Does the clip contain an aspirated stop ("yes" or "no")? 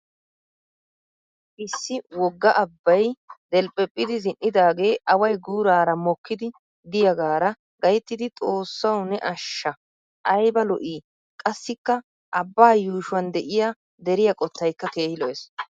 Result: no